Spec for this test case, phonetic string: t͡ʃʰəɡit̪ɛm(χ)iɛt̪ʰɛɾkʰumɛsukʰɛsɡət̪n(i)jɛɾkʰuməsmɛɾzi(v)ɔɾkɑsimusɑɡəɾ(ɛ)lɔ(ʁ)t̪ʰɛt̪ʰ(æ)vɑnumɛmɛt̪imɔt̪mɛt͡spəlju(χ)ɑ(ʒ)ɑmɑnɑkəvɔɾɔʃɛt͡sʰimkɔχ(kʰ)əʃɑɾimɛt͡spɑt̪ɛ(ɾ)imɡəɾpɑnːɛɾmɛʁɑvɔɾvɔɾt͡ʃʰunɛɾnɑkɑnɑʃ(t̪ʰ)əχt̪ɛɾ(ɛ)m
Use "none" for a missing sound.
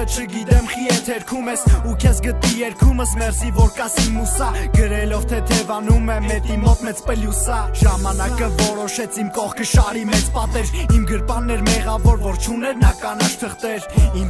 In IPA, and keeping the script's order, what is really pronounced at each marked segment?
χ, i, v, ɛ, v, ɛ, s, ʒ, kʰ, ɾ, t̪ʰ, i

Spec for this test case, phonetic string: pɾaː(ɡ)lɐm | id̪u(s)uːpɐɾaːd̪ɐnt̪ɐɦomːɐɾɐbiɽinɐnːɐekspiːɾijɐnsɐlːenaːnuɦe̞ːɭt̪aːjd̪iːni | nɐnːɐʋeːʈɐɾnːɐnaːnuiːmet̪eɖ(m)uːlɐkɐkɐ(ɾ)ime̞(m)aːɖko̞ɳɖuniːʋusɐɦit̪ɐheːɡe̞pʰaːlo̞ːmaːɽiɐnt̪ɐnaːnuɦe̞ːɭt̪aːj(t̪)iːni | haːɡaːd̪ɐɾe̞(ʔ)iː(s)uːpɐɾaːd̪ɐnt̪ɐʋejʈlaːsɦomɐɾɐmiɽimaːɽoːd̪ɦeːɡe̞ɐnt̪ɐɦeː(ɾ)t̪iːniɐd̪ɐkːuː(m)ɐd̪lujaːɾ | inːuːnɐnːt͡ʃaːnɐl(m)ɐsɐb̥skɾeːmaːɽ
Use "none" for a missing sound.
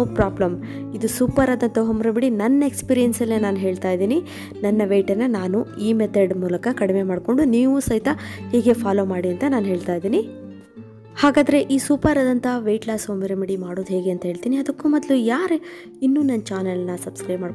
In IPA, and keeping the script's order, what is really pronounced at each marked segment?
b, s, m, ɽ, m, d̪, ʔ, s, ɭ, m, n

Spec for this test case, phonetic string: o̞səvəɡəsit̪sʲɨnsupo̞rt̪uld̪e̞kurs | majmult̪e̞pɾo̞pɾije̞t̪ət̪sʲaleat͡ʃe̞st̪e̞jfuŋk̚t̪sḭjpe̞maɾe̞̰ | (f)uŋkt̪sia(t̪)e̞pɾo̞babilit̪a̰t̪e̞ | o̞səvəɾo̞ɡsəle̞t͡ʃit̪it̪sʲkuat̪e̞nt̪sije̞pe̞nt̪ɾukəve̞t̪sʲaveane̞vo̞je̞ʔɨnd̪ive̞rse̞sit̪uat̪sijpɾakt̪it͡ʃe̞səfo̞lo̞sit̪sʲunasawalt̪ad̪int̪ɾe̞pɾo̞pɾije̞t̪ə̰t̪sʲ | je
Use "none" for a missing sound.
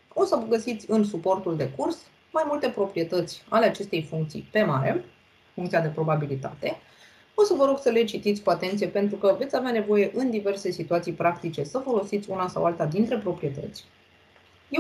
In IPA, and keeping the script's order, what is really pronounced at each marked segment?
f, d̪

